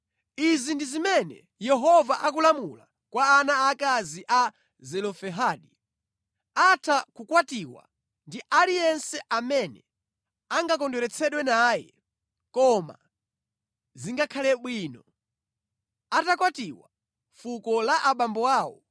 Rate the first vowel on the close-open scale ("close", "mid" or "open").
close